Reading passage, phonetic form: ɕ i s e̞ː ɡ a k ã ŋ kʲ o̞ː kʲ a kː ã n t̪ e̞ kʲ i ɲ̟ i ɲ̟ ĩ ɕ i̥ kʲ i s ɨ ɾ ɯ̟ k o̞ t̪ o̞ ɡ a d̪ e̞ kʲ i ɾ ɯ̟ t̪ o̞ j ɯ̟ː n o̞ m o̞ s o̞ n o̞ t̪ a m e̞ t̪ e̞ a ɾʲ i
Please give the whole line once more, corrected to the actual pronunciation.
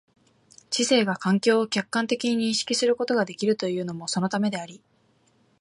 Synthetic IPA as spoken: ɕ i s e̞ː ɡ a k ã ŋ kʲ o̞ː kʲ a kː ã n t̪ e̞ kʲ i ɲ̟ i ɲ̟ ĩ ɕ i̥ kʲ i s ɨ ɾ ɯ̟ k o̞ t̪ o̞ ɡ a d̪ e̞ kʲ i ɾ ɯ̟ t̪ o̞ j ɯ̟ː n o̞ m o̞ s o̞ n o̞ t̪ a m e̞ d̪ e̞ a ɾʲ i